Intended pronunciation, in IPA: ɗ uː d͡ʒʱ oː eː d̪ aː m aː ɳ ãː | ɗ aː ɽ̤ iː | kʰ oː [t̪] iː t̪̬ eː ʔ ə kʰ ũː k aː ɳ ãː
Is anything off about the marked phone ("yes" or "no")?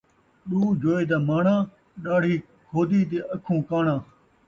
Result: yes